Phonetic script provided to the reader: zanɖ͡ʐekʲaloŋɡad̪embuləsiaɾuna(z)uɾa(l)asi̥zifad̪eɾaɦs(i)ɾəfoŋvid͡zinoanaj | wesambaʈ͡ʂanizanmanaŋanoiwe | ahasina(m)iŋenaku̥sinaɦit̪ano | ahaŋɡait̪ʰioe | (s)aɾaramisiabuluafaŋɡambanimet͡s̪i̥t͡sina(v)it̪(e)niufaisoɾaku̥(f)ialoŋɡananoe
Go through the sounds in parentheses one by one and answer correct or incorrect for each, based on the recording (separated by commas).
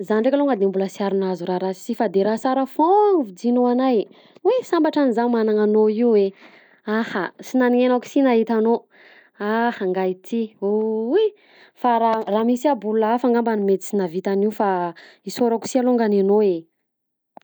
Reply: correct, incorrect, incorrect, incorrect, incorrect, correct, incorrect, incorrect